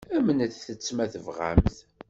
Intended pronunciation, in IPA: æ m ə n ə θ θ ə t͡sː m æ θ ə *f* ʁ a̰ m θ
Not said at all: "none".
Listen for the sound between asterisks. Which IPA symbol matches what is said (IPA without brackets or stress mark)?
v